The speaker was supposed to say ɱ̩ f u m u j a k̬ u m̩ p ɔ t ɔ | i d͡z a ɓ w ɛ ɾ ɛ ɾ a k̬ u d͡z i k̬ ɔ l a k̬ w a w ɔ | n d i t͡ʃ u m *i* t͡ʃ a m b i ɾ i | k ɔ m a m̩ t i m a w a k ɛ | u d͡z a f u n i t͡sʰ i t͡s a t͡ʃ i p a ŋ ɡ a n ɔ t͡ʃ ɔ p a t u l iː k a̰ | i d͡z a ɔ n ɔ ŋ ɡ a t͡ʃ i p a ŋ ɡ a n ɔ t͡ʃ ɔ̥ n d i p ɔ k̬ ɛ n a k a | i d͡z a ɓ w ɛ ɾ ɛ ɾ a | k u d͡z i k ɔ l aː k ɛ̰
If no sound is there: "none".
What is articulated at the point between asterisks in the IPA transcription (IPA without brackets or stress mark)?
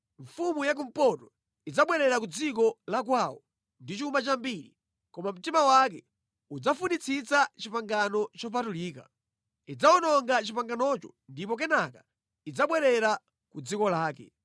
a